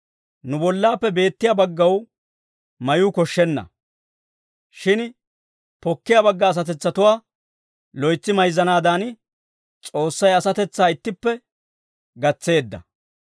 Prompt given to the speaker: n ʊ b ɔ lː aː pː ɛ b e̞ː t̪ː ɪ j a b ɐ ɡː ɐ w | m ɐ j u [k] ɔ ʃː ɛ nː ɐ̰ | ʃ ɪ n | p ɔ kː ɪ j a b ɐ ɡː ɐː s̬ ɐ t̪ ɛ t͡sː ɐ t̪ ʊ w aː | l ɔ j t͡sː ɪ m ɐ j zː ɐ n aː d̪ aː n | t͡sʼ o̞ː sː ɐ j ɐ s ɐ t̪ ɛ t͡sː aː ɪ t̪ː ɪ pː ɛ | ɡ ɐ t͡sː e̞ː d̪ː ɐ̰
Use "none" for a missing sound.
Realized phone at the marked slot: k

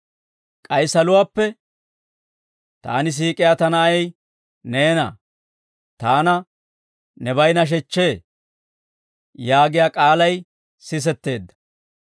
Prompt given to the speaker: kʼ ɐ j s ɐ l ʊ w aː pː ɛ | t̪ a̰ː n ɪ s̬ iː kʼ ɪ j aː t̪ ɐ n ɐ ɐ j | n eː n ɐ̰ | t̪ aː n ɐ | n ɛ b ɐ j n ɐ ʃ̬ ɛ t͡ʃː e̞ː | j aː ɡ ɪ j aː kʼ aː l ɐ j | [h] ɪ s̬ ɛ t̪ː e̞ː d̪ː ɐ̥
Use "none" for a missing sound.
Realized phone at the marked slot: s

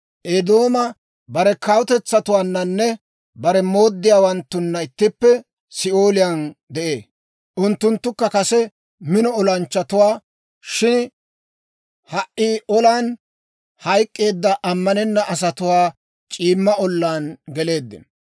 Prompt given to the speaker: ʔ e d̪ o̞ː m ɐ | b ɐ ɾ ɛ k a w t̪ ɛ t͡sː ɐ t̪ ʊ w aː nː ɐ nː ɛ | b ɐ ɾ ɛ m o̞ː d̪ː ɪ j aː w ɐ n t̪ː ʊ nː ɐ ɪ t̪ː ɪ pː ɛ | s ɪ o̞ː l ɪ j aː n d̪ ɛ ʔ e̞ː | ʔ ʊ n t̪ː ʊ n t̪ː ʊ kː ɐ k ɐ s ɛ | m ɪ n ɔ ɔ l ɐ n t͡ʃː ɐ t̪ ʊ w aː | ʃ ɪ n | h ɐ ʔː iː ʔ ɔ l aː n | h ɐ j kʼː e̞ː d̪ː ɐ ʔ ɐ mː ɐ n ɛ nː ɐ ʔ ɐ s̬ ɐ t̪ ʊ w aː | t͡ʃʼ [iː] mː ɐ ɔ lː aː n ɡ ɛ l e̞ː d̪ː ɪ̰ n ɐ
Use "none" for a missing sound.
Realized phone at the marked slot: iː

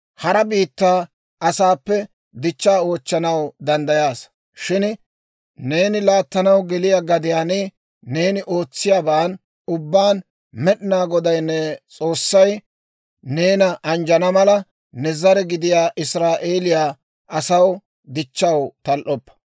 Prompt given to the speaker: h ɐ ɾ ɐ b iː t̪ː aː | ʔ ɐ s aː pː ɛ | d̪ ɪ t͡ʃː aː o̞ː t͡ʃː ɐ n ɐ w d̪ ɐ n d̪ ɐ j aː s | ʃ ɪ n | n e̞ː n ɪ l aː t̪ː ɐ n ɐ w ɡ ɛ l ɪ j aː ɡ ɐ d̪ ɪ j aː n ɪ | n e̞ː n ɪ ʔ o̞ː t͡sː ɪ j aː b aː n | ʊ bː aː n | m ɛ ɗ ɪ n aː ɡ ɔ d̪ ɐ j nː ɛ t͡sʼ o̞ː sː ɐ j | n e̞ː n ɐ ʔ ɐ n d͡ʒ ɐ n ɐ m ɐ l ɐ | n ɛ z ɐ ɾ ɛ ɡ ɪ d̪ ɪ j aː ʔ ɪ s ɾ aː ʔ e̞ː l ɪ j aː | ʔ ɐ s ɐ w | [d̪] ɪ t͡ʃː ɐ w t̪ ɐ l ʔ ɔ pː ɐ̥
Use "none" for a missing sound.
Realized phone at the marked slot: d̪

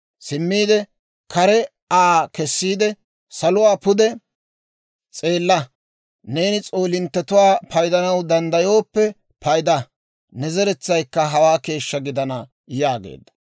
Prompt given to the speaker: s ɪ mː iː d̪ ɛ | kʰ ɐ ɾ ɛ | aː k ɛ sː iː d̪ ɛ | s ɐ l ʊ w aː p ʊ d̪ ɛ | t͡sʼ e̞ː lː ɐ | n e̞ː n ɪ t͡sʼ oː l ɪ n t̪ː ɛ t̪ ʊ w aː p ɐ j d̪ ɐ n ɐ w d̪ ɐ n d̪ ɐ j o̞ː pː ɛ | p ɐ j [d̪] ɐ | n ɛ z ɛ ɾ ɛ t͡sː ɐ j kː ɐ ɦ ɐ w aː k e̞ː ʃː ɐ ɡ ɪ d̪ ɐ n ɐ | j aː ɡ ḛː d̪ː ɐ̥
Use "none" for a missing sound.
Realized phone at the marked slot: d̪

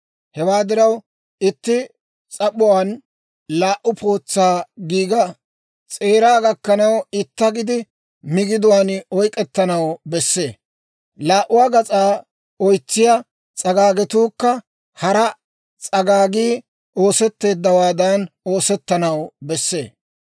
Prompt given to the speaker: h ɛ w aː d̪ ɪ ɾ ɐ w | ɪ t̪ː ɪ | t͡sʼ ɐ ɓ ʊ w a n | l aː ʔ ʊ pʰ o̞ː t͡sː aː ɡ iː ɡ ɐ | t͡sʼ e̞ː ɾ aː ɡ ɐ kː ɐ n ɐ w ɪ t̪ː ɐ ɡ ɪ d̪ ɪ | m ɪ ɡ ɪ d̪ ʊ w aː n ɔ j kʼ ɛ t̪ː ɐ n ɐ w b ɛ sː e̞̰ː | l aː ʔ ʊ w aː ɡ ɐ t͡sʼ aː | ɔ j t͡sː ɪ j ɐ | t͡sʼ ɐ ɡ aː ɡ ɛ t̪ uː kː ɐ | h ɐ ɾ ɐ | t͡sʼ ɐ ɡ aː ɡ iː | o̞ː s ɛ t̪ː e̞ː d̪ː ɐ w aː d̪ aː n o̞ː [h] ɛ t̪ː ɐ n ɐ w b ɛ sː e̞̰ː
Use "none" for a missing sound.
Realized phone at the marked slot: s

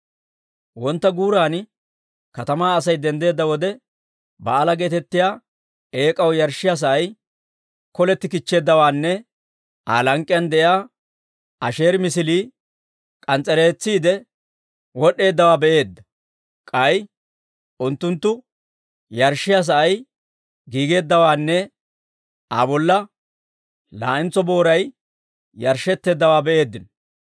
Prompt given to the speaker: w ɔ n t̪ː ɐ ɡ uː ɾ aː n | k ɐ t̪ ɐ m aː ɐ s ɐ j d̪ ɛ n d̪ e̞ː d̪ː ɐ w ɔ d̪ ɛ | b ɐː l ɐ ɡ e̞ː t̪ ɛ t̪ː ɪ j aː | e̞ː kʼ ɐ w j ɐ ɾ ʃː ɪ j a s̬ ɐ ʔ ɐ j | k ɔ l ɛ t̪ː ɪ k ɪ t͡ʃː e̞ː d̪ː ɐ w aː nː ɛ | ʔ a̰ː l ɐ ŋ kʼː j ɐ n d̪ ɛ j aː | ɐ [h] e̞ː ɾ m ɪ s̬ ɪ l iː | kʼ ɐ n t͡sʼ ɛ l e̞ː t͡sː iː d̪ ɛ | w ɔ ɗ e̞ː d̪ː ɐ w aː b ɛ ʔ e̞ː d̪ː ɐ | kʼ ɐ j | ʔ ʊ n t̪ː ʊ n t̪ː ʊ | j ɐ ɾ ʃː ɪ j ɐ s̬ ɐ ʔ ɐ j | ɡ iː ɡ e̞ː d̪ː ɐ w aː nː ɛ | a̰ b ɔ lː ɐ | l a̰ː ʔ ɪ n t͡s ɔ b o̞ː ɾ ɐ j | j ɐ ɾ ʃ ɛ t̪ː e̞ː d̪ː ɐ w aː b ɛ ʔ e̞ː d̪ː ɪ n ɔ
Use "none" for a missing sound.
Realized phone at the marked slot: ʃ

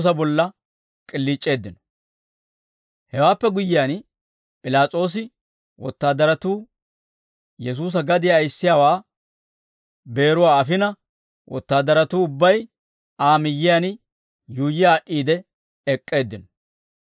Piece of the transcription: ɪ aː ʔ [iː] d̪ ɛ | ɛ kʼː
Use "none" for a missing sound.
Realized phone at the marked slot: iː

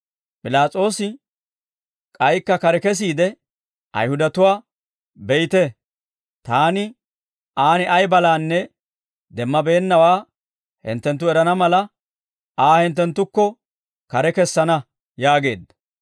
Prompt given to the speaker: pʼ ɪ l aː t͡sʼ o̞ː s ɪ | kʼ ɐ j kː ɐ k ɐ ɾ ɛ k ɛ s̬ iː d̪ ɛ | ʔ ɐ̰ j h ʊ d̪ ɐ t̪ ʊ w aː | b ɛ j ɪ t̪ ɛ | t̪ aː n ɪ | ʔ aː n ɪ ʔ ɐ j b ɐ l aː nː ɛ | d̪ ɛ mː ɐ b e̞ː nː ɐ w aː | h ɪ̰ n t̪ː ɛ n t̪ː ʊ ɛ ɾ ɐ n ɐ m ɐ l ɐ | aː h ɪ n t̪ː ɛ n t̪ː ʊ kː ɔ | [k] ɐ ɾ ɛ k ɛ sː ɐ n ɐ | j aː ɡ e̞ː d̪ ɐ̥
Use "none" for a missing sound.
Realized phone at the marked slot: k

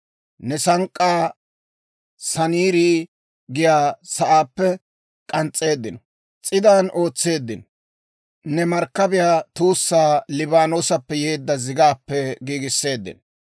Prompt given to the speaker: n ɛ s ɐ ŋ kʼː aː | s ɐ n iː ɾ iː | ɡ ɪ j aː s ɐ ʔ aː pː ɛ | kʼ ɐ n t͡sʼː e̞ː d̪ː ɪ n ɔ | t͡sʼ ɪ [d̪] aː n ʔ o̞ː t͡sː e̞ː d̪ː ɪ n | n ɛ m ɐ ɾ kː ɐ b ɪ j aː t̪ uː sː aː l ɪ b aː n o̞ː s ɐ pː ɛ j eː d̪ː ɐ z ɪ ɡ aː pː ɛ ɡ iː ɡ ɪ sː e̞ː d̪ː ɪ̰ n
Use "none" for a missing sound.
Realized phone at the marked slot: d̪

